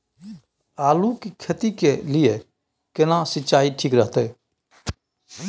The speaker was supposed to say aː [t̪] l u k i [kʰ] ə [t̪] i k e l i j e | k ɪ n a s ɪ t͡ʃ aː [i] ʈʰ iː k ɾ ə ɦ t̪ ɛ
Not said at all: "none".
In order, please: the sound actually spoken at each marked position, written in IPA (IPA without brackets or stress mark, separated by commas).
none, kʰ, t̪, i